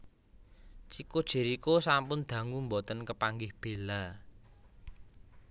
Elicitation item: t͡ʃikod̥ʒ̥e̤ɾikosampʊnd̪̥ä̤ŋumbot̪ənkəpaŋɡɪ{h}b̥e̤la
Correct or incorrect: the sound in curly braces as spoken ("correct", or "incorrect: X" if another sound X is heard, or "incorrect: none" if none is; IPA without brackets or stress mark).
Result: correct